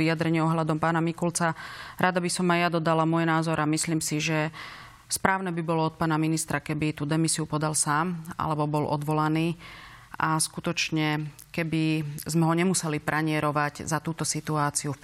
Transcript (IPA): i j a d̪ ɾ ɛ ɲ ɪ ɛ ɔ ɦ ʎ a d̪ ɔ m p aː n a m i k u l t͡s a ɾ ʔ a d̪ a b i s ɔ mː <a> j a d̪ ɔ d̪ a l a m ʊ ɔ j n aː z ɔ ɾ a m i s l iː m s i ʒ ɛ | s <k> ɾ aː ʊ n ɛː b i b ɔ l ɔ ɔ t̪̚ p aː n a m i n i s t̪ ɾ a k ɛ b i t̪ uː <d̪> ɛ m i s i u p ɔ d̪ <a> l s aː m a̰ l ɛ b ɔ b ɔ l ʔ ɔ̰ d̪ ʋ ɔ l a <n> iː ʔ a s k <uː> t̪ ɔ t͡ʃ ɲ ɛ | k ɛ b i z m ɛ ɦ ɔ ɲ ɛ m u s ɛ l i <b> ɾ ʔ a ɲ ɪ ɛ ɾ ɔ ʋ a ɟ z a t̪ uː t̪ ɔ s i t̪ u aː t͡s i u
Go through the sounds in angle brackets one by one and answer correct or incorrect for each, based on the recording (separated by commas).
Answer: correct, incorrect, correct, correct, correct, incorrect, incorrect